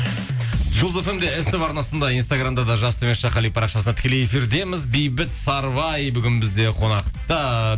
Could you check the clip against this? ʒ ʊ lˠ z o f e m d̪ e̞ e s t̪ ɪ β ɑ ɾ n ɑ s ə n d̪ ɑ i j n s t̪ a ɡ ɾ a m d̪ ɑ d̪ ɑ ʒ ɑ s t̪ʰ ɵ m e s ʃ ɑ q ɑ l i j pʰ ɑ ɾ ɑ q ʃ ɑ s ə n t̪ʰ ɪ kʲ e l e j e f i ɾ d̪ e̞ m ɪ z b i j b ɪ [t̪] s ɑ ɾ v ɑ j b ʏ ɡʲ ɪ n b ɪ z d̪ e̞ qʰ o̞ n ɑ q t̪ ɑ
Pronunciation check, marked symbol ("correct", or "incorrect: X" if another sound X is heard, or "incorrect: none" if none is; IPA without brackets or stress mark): correct